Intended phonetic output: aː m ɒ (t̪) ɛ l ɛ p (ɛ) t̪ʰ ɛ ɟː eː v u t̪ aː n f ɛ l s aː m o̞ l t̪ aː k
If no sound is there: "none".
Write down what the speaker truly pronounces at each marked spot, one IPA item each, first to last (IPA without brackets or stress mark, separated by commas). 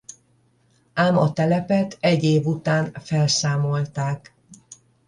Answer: t̪, ɛ